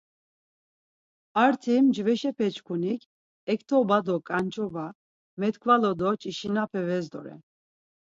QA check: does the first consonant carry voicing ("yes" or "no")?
yes